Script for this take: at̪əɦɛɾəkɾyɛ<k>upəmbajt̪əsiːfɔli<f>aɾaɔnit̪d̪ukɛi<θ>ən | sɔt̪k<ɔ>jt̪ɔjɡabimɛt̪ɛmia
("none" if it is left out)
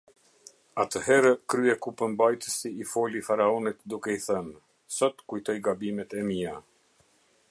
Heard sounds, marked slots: k, f, θ, u

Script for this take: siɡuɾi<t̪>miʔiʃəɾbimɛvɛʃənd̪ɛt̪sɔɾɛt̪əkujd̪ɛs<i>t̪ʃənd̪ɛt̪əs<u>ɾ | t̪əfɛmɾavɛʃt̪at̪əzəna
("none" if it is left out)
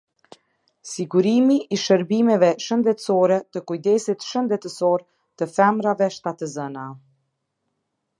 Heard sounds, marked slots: none, i, ɔ

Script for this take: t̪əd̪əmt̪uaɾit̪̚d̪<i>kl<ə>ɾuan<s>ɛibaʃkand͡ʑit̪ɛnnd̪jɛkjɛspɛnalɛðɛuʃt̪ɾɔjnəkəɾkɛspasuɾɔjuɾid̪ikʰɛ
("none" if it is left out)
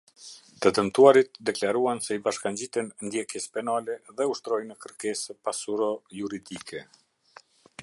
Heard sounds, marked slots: ɛ, a, s

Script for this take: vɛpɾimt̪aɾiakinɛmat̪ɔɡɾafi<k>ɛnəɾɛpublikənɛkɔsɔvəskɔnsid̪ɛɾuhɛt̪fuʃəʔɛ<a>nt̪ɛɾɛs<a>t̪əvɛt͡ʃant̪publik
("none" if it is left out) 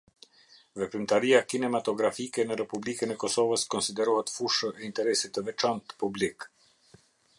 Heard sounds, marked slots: k, i, i

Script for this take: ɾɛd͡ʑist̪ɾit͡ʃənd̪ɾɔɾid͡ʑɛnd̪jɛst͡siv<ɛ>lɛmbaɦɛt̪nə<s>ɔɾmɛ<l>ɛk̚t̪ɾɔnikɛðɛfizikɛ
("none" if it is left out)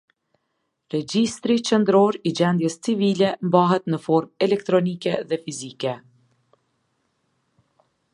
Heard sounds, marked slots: i, f, l

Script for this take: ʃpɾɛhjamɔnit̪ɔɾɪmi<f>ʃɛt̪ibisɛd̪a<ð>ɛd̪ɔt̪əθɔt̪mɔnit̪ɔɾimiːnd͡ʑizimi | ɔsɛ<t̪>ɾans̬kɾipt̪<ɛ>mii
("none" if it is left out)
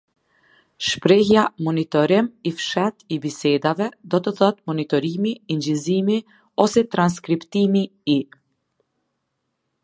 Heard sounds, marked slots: f, v, t̪, i

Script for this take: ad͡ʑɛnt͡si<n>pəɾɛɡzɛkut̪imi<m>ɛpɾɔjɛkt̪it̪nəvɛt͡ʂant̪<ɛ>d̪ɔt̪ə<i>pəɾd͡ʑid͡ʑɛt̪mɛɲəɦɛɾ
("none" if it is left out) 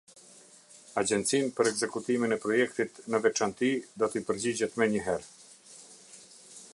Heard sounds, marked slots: n, n, i, i

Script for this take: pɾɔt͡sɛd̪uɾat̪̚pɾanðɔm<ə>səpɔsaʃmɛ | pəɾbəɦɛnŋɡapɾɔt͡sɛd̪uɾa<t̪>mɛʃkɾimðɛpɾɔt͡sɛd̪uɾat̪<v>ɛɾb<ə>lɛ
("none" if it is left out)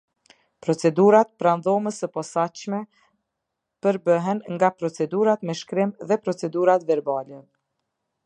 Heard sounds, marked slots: ə, t̪, v, a

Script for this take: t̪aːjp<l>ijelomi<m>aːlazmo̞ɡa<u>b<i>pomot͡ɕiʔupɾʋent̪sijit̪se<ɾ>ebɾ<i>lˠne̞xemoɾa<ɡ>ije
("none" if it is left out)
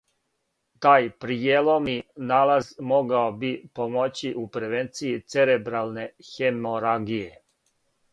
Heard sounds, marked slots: ɾ, n, o, i, ɾ, a, ɡ

